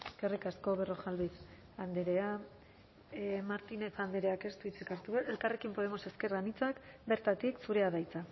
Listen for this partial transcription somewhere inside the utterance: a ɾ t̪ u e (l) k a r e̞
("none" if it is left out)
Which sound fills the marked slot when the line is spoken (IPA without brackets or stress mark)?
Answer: l